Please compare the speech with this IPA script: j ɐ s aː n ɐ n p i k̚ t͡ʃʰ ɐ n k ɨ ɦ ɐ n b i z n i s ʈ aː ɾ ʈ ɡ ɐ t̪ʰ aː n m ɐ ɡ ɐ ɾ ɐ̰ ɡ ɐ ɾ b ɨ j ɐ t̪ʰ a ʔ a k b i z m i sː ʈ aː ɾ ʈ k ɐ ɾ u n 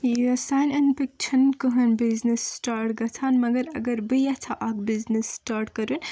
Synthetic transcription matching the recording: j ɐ s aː n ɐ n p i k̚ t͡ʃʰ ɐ n k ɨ ɦ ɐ n b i z n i s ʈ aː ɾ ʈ ɡ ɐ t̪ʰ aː n m ɐ ɡ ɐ ɾ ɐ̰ ɡ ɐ ɾ b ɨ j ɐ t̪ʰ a ʔ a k b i z n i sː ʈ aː ɾ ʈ k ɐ ɾ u n